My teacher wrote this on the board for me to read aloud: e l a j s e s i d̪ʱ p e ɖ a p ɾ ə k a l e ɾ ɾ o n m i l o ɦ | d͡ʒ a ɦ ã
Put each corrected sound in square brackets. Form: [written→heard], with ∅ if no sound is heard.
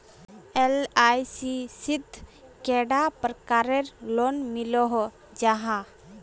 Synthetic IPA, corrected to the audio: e l a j s [e→i] s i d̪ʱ [p→k] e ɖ a p ɾ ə k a [l→ɾ] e ɾ [ɾ→l] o n m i l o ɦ | d͡ʒ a ɦ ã